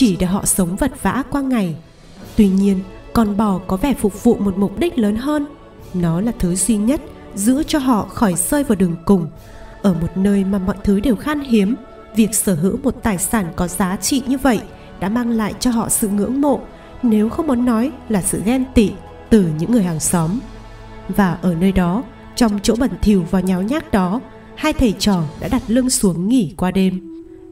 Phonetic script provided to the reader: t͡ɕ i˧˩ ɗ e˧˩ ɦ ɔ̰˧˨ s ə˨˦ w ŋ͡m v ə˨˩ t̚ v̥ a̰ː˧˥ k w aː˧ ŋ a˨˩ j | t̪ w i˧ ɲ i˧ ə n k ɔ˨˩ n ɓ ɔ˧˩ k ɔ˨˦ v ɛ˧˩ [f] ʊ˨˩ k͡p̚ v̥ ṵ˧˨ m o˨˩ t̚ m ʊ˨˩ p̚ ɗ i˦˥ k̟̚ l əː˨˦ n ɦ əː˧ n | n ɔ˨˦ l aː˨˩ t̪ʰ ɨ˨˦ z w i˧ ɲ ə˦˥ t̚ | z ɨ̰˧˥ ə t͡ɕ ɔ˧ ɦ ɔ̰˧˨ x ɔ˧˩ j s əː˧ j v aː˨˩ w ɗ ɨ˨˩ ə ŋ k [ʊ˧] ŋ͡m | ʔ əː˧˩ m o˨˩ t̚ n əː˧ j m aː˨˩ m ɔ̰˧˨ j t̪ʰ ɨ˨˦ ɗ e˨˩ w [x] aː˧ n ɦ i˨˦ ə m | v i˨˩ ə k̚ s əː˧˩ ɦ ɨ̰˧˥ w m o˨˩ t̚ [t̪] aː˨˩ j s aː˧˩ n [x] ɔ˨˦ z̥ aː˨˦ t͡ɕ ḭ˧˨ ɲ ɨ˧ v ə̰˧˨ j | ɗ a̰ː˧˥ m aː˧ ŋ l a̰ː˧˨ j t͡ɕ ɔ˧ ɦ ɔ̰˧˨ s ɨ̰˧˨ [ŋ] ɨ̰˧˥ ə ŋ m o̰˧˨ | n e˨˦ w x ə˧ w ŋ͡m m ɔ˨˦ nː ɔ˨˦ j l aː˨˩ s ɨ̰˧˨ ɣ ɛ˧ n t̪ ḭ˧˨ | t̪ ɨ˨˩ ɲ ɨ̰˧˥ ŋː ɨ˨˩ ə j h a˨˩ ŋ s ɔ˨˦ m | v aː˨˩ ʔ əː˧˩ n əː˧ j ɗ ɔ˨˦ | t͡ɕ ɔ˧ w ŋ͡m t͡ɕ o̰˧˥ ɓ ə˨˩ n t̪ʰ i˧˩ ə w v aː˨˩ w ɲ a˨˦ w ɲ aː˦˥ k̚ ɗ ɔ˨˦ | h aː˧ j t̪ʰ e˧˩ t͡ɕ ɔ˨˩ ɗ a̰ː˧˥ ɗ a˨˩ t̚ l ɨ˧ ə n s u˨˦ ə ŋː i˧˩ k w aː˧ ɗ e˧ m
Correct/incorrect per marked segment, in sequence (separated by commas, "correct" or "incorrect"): correct, incorrect, correct, correct, incorrect, correct